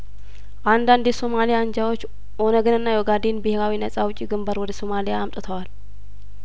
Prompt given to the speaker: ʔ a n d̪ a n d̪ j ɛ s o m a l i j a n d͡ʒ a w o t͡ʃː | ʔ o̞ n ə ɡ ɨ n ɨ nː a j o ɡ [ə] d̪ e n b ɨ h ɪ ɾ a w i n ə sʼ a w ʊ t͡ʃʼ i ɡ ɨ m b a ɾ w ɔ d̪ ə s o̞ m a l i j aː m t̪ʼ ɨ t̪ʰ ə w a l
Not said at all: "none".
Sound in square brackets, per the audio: a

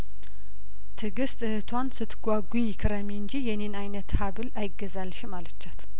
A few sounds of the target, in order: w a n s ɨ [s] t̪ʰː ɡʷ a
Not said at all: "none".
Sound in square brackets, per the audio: none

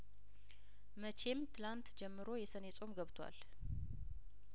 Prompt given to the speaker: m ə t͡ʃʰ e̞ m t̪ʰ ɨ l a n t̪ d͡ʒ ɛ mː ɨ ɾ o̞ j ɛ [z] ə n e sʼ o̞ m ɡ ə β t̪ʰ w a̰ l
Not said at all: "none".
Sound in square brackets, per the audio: s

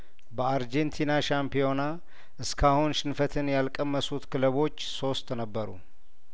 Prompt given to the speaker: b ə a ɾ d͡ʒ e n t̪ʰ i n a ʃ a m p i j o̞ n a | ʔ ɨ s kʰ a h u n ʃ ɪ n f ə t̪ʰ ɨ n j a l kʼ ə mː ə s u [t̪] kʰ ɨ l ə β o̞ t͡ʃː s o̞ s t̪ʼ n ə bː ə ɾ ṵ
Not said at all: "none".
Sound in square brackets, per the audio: t̪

